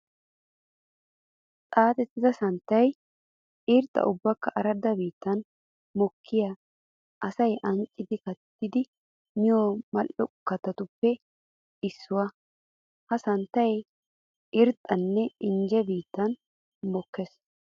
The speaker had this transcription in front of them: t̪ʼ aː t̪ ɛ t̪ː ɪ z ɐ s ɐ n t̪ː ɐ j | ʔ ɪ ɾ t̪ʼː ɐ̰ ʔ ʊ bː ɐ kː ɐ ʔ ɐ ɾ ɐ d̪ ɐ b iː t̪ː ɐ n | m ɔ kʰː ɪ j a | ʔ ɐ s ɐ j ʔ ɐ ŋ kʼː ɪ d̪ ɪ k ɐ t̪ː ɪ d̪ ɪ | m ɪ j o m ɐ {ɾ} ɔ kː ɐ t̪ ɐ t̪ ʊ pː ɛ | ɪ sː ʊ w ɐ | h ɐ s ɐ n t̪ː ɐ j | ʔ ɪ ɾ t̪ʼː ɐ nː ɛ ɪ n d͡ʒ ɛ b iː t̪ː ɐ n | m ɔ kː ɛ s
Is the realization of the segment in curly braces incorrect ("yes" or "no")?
yes